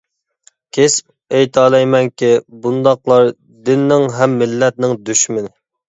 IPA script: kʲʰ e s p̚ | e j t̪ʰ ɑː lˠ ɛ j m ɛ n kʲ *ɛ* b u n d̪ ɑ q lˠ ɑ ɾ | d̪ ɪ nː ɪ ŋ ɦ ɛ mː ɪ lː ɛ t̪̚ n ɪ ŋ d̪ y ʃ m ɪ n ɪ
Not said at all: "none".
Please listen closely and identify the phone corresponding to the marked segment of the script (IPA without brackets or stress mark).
i